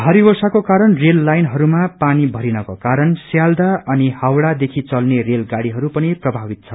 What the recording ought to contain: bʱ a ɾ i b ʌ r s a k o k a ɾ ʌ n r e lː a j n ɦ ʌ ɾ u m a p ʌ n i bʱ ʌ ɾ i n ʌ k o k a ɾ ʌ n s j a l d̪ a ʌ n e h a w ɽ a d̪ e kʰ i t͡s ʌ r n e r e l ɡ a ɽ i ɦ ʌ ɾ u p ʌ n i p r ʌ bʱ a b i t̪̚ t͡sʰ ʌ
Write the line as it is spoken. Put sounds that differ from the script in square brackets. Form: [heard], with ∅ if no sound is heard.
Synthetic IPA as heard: bʱ a ɾ i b ʌ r s a k o k a ɾ ʌ n r e lː a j n ɦ ʌ ɾ u m a p [a] n i bʱ ʌ ɾ i n ʌ k o k a ɾ ʌ n s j a l d̪ a ʌ n [i] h a w ɽ a d̪ e kʰ i t͡s ʌ [l] n e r e l ɡ a ɽ i ɦ ʌ ɾ u p ʌ n i p r ʌ bʱ a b i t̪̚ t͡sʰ ʌ

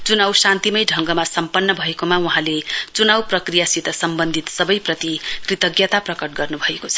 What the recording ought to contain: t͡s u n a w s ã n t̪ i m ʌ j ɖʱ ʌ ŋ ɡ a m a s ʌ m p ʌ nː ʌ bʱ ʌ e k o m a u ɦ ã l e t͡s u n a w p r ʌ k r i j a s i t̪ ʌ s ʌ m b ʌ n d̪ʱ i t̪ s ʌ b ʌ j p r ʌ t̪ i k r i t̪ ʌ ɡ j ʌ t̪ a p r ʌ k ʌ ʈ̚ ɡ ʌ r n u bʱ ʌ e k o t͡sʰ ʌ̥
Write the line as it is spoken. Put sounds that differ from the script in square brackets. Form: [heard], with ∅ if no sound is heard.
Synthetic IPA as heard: t͡s u n a w s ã n t̪ i m ʌ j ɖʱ ʌ ŋ ɡ [ʌ] m a s ʌ m p ʌ nː ʌ bʱ ʌ e k o m a u ɦ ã l e t͡s u n a w p r ʌ k r i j a s i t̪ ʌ s ʌ m b ʌ n d̪ʱ i t̪ s ʌ b ʌ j p r ʌ t̪ i k r i t̪ ʌ ɡ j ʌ t̪ a p r ʌ k ʌ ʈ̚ ɡ ʌ r n u bʱ ʌ e k o t͡sʰ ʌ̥

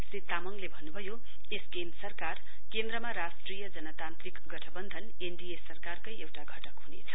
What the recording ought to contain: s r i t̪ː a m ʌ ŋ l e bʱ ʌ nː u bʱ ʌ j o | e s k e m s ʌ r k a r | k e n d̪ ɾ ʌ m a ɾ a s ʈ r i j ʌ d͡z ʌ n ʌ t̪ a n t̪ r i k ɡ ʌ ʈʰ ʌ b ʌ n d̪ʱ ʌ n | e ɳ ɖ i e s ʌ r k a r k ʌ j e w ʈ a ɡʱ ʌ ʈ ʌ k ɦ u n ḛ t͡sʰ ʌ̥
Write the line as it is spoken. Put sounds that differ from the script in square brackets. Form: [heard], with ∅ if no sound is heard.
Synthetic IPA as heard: s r i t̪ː a m ʌ ŋ l e bʱ ʌ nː u bʱ ʌ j o | e s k e m s ʌ r k a r | k e n d̪ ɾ ʌ m a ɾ a s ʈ r i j ʌ d͡z ʌ n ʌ t̪ a n t̪ r i k ɡ ʌ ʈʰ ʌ b ʌ n d̪ʱ ʌ n | e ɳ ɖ i e s ʌ r k a r k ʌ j e w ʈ a ɡʱ ʌ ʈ ʌ k ɦ u n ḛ t͡sʰ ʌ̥

